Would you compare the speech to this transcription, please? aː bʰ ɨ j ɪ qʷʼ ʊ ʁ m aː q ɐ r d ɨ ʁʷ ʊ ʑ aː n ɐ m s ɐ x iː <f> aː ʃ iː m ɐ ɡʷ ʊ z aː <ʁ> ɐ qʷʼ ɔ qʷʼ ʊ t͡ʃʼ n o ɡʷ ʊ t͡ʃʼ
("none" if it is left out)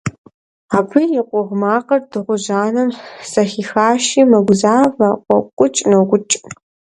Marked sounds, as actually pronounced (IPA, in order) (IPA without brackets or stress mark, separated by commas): x, v